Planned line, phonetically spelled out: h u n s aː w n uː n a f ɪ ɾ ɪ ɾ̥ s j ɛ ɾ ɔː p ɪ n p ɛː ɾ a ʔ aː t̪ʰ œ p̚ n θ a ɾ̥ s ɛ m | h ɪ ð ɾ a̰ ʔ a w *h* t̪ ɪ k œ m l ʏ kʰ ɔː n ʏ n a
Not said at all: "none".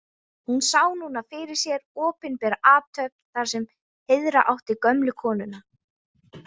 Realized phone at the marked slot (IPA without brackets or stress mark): h